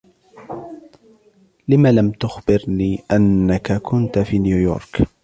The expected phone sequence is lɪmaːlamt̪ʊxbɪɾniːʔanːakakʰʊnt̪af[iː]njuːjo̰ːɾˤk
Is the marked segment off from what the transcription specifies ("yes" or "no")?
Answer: no